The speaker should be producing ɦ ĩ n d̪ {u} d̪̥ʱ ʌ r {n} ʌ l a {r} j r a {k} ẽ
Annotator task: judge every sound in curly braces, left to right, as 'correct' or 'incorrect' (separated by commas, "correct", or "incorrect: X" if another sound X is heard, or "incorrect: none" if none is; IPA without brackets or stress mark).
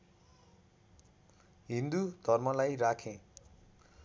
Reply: correct, incorrect: m, incorrect: none, incorrect: kʰ